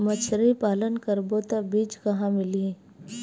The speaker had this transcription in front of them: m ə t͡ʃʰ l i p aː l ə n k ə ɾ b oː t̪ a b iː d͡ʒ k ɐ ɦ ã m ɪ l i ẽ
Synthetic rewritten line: m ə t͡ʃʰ ɾ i p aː l ə n k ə ɾ b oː t̪ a b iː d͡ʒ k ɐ ɦ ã m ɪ l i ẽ